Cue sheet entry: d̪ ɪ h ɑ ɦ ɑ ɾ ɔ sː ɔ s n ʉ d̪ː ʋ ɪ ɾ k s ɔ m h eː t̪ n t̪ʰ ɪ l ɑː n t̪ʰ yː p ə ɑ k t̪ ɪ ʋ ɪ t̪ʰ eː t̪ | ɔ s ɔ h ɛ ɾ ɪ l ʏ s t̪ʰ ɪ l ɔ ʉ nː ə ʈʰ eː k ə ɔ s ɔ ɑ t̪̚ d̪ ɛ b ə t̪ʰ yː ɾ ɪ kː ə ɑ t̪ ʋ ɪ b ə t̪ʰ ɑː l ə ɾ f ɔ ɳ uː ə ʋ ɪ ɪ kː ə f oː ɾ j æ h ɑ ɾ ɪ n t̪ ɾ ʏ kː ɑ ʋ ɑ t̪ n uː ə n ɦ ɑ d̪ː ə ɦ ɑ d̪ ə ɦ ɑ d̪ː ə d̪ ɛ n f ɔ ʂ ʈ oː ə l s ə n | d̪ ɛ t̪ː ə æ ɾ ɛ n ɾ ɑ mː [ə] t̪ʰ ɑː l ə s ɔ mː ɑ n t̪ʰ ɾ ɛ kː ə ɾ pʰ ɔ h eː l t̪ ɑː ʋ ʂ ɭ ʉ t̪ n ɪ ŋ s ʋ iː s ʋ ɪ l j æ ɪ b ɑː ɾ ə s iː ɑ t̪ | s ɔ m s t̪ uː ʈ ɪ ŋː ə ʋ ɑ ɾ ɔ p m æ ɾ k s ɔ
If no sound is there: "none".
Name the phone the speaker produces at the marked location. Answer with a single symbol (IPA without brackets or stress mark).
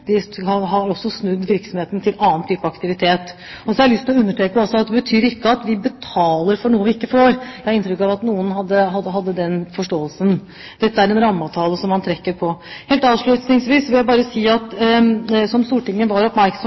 ɑ